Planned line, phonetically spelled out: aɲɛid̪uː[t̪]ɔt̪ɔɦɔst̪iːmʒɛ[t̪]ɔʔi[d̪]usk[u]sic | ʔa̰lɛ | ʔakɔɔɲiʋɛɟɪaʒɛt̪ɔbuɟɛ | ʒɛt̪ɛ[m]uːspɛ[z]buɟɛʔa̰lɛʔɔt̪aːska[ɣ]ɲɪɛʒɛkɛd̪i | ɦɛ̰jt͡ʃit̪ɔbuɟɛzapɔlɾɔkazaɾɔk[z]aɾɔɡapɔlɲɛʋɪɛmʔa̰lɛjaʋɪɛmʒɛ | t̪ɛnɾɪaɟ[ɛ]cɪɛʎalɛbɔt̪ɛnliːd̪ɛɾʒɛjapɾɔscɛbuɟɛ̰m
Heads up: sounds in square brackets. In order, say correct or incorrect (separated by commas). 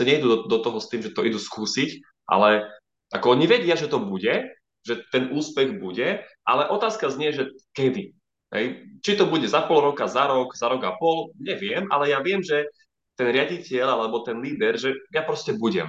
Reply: incorrect, correct, correct, incorrect, incorrect, incorrect, incorrect, correct, incorrect